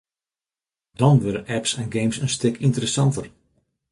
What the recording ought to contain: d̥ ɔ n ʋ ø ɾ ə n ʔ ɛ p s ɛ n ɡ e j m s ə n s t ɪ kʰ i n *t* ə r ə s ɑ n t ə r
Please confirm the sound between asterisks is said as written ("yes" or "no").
yes